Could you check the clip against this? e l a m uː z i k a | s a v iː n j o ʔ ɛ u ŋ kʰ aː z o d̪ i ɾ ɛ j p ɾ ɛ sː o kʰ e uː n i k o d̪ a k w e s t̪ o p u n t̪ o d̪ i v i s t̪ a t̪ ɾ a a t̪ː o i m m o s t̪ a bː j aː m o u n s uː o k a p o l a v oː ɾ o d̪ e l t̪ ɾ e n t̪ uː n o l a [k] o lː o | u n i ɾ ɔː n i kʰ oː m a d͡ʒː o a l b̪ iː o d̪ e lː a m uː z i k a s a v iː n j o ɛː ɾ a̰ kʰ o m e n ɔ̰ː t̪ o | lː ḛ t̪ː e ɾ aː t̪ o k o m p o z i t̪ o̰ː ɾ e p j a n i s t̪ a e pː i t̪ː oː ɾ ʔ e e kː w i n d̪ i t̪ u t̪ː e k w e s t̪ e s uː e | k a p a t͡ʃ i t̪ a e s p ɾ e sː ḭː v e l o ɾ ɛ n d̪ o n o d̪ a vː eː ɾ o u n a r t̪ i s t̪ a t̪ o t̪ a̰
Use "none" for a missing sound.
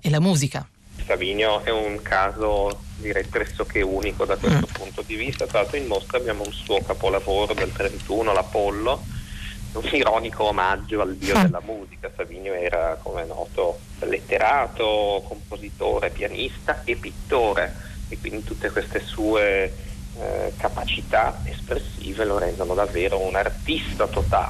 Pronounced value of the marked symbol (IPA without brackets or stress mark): p